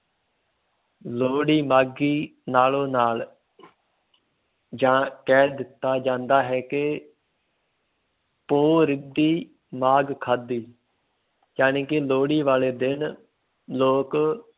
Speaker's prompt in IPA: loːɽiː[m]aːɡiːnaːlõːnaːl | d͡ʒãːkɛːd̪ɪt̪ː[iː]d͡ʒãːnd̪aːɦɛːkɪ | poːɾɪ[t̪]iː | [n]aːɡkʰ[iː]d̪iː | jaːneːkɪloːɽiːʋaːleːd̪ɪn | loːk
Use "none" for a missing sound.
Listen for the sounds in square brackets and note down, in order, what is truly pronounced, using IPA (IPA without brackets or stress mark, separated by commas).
m, aː, d̪, m, aː